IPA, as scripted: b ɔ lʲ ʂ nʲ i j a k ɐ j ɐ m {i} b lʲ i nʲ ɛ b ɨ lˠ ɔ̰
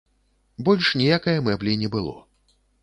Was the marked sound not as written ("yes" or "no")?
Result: yes